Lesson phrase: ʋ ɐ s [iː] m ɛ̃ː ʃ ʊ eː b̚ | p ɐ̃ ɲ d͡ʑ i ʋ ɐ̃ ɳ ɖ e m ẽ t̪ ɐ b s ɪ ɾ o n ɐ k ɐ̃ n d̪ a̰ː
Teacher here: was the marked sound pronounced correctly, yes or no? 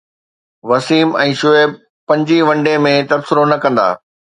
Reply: yes